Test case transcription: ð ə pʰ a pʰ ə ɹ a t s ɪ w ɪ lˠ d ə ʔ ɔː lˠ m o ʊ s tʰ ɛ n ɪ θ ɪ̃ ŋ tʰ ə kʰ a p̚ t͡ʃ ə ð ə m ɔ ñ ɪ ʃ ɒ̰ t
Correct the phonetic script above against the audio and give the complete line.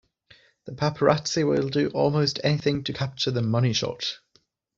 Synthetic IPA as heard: ð ə pʰ a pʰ ə ɹ a t s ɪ w ɪ lˠ d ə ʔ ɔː lˠ m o ʊ s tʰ ɛ n ɪ θ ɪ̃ ŋ tʰ ə kʰ a p̚ t͡ʃ ə ð ə m ʌ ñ ɪ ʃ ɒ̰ t